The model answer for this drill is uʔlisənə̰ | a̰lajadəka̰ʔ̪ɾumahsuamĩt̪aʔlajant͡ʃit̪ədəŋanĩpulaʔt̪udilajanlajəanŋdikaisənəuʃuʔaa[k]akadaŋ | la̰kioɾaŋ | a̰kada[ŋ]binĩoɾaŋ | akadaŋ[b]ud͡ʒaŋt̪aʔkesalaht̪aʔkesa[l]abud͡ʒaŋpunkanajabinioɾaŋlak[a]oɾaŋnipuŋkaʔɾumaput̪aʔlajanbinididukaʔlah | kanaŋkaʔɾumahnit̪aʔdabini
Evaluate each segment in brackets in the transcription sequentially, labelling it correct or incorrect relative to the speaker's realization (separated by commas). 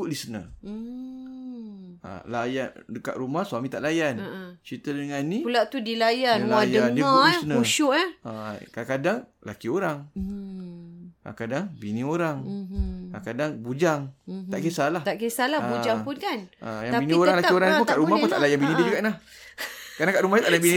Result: correct, correct, correct, correct, incorrect